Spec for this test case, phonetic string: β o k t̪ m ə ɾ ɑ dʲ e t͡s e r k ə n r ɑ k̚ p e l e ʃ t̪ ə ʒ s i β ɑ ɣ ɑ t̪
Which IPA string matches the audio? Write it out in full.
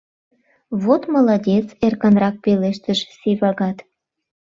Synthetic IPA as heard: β o t̪ m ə l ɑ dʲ e t͡s e r k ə n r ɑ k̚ p e l e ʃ t̪ ə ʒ s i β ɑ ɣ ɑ t̪